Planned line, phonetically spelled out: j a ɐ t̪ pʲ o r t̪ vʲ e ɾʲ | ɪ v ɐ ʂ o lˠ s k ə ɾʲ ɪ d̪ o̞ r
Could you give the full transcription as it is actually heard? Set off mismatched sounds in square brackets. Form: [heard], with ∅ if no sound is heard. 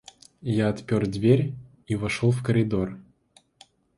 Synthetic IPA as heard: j a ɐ t̪ pʲ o r [d̪] vʲ e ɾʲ | [i] v ɐ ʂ o lˠ [f] k ə ɾʲ ɪ d̪ o̞ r